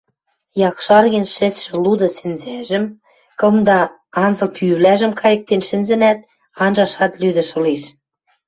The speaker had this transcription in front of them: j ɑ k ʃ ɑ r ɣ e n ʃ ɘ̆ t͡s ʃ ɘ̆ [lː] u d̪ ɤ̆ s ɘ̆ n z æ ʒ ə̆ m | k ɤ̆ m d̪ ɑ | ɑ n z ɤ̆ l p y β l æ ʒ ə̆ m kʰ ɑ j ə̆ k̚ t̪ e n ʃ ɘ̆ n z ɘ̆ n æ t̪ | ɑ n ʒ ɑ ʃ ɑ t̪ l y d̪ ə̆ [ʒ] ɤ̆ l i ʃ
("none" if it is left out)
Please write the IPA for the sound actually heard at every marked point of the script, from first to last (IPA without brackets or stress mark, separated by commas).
l, ʃ